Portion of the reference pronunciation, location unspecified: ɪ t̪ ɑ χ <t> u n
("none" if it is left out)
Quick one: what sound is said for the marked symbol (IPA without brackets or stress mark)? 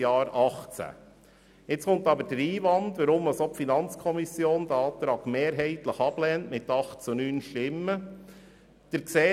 t͡s